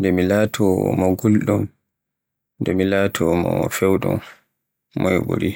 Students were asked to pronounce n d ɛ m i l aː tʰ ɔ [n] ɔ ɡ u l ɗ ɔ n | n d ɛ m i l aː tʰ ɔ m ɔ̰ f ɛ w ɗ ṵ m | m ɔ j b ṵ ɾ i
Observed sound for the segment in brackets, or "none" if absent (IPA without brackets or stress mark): m